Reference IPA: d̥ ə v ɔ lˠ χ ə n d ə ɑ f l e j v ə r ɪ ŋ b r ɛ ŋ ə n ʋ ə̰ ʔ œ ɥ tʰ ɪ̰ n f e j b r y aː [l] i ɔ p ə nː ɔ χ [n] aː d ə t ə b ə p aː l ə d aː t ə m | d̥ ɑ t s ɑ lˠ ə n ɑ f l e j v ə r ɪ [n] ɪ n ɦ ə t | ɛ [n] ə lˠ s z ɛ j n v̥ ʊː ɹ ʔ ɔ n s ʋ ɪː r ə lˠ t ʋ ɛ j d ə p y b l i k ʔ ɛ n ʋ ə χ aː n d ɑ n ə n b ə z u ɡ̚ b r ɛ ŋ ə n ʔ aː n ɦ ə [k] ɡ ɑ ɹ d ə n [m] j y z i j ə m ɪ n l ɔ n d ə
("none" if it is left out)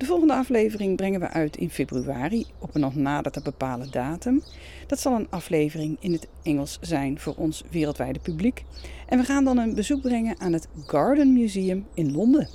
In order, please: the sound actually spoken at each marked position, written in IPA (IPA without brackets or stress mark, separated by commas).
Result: r, n, ŋ, ŋ, t, m